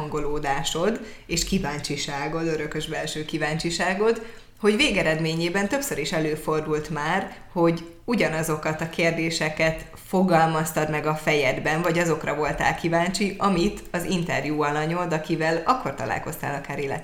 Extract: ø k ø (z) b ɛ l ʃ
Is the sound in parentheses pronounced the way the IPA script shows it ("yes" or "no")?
no